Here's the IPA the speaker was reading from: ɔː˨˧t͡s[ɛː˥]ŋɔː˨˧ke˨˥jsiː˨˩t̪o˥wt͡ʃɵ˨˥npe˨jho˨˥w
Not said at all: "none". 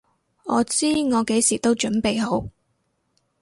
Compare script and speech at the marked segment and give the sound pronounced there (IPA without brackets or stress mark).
iː˥